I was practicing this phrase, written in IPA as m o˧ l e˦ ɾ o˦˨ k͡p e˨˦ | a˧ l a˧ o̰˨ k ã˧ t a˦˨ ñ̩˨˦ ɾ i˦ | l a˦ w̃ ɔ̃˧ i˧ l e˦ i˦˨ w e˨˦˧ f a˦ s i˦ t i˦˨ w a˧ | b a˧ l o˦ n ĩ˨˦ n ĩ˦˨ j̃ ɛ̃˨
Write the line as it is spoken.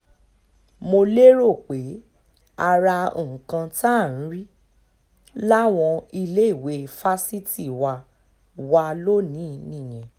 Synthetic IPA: m o˧ l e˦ ɾ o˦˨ k͡p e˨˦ | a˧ ɾ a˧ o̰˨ k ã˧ t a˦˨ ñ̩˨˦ ɾ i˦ | l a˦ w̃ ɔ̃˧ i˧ l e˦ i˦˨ w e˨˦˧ f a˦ s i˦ t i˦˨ w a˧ | w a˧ l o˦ n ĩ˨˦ n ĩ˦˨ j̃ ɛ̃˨